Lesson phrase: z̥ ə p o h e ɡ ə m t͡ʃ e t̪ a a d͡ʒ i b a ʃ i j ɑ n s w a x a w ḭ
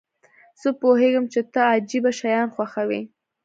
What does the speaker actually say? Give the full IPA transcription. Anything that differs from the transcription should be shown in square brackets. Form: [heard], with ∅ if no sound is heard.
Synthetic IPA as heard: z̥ ə p o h e ɡ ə m t͡ʃ e t̪ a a d͡ʒ i b a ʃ [a] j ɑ n [x] w a x a w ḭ